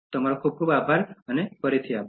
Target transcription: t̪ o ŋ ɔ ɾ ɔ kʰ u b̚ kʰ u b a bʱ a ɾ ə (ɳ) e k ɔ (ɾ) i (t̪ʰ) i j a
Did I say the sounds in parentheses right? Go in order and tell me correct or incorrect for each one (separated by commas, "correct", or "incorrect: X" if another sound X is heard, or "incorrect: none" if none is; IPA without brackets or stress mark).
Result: incorrect: n, correct, correct